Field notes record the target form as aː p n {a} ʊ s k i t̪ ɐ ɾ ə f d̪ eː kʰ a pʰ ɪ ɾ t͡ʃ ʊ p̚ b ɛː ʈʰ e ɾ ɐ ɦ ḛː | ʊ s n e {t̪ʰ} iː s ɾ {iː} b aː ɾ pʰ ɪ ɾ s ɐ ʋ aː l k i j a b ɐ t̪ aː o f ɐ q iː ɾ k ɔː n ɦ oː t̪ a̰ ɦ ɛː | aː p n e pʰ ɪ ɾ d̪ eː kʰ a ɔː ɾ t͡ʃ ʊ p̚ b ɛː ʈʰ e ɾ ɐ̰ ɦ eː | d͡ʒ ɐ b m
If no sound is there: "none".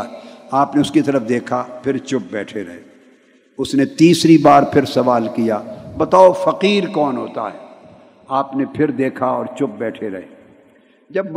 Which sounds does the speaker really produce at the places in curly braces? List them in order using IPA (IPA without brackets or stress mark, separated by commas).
e, t̪, i